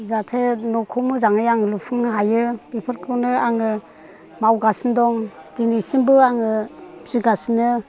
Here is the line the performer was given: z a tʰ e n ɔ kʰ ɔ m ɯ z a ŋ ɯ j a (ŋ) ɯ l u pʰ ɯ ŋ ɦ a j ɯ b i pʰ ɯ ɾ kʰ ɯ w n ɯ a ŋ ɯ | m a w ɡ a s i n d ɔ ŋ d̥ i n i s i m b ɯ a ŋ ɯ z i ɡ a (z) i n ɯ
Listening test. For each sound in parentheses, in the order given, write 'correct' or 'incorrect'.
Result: correct, incorrect: s

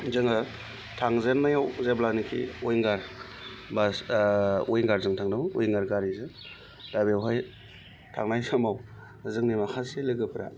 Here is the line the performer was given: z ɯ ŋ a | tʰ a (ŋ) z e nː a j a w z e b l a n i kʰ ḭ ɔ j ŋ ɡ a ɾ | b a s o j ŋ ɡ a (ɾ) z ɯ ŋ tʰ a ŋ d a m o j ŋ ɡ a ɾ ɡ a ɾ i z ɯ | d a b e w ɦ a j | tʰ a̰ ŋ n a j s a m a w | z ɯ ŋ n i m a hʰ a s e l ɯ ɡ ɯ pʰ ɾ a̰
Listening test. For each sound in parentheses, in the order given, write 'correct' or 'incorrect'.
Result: correct, correct

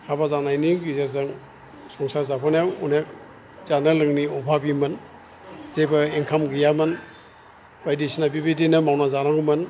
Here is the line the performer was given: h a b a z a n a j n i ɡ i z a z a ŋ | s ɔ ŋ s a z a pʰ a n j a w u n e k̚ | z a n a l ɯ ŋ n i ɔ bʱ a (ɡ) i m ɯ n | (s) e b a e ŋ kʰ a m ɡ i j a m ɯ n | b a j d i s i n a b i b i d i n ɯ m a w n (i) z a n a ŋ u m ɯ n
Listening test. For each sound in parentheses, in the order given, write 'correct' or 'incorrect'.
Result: incorrect: b, incorrect: z, incorrect: a

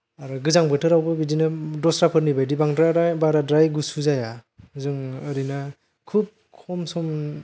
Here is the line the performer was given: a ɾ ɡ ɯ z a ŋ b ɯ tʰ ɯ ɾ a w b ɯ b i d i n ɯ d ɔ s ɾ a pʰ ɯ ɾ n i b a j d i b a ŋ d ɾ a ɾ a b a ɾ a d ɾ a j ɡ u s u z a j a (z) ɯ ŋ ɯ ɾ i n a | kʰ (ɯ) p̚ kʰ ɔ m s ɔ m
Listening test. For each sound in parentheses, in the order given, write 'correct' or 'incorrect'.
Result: correct, incorrect: u

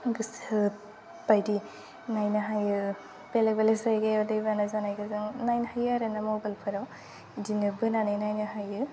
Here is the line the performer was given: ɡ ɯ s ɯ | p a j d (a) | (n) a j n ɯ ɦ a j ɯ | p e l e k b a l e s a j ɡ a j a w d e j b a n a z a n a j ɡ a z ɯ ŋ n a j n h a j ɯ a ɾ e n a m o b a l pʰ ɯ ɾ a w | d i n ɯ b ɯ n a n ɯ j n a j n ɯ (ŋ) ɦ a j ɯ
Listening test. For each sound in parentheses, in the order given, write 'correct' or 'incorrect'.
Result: incorrect: i, correct, incorrect: none

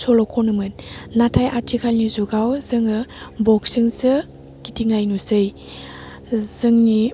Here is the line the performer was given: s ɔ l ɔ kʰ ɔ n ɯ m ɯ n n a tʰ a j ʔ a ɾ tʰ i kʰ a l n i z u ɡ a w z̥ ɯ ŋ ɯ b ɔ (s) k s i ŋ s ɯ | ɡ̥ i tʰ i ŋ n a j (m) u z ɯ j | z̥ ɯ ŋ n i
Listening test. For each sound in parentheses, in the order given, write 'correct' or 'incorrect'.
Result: incorrect: none, incorrect: n

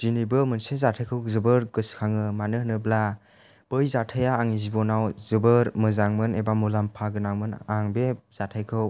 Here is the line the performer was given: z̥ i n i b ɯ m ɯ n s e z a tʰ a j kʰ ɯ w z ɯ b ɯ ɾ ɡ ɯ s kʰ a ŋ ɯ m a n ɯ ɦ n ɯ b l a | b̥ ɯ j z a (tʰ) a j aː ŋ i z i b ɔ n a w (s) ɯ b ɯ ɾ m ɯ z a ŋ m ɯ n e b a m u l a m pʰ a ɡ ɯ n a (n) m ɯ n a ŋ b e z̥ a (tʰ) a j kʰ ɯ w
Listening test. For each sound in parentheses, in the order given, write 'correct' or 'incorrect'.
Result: correct, incorrect: z, incorrect: ŋ, correct

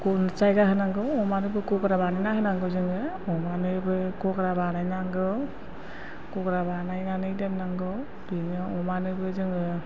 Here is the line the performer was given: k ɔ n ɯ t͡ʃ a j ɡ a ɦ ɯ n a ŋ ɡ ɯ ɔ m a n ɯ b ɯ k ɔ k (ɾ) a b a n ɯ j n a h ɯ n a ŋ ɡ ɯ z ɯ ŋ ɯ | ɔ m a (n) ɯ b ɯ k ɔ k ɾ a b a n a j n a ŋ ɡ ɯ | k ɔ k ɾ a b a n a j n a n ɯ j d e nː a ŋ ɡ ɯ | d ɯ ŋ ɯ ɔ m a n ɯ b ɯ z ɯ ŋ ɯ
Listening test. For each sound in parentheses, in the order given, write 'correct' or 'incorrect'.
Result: correct, correct

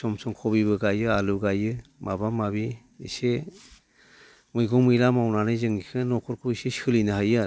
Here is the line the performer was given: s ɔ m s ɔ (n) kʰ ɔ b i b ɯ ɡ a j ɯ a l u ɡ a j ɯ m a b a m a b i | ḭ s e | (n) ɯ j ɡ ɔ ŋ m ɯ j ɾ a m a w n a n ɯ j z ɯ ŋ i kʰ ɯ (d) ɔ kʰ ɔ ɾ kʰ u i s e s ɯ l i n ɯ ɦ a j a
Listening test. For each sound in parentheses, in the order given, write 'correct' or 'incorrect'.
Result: incorrect: ŋ, incorrect: m, incorrect: n

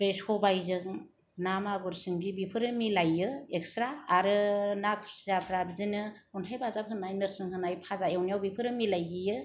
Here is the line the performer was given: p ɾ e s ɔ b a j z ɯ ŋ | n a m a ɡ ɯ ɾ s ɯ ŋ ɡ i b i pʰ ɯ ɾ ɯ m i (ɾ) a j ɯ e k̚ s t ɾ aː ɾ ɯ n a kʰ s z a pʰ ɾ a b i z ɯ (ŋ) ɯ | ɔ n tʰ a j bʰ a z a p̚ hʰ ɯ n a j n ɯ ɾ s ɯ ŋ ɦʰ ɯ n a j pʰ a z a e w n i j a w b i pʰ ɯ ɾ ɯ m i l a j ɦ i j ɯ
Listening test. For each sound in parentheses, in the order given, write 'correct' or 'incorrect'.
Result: incorrect: l, incorrect: n

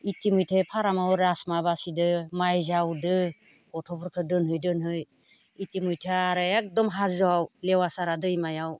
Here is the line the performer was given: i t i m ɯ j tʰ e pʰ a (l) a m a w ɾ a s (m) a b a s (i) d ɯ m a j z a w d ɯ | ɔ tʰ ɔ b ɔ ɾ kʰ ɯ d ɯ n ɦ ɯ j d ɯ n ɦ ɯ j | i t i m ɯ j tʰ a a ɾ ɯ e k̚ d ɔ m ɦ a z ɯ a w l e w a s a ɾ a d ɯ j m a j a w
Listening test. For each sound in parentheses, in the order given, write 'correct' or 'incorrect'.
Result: incorrect: ɾ, correct, correct

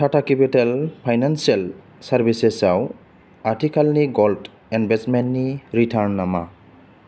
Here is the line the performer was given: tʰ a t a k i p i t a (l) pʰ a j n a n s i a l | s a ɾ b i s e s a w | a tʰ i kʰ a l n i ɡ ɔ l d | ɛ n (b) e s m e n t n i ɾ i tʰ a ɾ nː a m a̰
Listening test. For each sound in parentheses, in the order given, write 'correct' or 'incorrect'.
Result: correct, correct

